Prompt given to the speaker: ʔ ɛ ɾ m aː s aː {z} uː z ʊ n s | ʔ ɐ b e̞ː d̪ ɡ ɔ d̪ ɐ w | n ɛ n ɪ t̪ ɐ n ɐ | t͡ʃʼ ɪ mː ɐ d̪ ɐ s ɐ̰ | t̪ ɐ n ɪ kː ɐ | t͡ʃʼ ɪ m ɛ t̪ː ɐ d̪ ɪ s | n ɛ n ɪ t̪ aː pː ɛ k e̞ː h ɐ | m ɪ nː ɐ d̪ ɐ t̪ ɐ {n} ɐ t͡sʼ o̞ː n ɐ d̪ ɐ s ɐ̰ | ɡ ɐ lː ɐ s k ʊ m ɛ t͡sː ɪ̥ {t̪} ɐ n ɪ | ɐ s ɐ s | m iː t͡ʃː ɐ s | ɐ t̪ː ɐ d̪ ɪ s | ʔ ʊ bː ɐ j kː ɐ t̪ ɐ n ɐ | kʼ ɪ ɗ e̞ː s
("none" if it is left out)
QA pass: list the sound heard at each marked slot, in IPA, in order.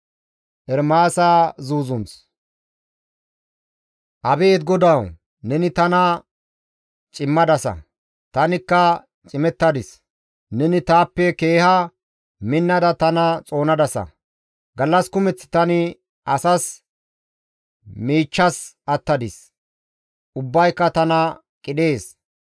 z, n, t̪

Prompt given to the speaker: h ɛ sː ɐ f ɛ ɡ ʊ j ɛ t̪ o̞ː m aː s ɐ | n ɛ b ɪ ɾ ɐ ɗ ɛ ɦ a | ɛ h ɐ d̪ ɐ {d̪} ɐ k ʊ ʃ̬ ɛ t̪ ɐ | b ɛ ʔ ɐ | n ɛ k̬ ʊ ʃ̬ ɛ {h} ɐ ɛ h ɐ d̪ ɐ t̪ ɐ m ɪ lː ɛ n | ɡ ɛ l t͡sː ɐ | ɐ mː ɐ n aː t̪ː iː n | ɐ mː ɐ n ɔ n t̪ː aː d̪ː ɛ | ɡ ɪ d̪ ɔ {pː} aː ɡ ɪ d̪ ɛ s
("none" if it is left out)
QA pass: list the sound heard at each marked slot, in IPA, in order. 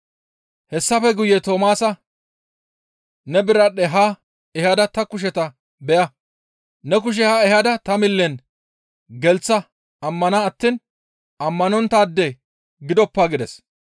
t̪, h, pː

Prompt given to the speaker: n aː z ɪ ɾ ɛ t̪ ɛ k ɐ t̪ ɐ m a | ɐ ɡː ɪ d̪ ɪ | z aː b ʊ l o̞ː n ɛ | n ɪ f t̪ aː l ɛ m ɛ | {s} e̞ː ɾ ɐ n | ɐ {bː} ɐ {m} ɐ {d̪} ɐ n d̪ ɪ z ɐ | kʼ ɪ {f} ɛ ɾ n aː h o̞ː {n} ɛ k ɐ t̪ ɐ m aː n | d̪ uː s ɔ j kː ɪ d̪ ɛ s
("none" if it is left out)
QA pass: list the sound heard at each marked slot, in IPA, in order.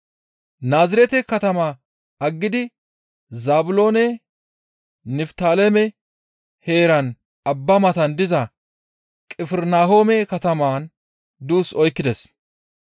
h, bː, m, t̪, f, m

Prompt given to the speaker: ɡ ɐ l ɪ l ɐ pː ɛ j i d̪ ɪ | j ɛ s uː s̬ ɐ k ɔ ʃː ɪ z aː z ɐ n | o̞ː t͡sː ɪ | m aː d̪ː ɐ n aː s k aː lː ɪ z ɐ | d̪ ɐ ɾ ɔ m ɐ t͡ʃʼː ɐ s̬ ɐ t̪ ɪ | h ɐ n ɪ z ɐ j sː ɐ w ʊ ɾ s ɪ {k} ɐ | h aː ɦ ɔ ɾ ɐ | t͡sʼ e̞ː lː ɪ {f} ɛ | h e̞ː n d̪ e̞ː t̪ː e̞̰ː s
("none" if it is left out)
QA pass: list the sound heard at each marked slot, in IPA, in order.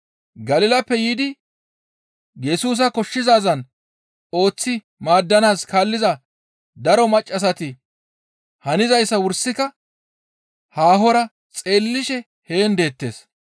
k, ʃ

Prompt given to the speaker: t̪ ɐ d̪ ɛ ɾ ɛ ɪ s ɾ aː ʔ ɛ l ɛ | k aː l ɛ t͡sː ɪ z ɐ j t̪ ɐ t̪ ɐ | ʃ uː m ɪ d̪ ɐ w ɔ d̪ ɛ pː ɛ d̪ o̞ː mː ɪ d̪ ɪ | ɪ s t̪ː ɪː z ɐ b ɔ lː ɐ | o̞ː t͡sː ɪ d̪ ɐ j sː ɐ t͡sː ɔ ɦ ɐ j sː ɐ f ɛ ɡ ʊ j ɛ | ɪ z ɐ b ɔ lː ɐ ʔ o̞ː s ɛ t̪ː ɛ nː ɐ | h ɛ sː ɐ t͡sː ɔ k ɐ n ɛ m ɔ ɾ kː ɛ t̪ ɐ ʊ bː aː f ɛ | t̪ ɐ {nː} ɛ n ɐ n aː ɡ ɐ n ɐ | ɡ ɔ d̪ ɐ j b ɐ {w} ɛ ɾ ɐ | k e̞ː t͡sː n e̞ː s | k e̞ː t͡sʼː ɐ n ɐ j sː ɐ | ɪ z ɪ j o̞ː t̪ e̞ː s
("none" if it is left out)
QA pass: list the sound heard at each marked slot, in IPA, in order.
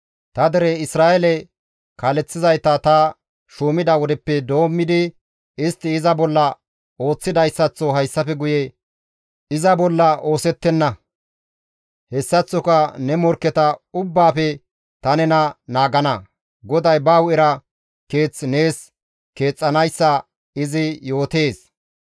n, w

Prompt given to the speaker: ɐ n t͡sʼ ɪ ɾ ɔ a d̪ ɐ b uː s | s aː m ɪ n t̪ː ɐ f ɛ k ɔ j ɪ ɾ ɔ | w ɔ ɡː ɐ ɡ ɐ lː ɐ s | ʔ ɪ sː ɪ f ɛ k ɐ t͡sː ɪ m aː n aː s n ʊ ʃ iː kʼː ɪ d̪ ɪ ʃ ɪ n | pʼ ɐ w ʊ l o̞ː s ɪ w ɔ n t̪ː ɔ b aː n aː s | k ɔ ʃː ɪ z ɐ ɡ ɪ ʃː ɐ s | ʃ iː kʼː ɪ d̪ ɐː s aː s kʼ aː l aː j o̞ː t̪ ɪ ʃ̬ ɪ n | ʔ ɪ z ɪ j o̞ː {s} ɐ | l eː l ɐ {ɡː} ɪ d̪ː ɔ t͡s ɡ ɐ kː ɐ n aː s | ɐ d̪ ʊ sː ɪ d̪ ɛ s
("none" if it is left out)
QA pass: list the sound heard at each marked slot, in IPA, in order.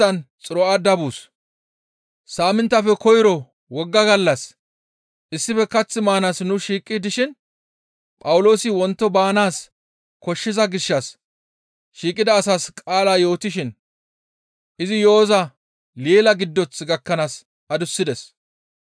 z, ɡ

